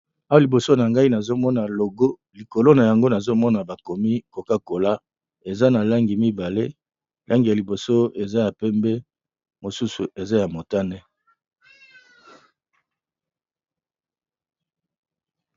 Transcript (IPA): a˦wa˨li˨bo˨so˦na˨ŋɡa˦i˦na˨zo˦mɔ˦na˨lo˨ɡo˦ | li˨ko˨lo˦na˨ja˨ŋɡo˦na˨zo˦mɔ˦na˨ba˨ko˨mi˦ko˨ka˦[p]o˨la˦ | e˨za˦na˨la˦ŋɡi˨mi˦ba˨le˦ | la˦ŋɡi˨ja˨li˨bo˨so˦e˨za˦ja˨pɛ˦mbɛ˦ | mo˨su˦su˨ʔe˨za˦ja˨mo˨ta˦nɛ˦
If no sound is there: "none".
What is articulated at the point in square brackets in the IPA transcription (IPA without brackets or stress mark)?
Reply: k